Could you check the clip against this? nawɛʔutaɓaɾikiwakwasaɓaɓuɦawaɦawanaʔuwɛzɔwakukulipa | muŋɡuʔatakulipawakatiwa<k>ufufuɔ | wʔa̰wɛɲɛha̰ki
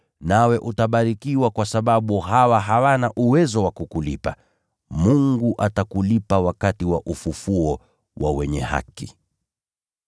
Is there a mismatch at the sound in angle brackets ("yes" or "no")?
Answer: yes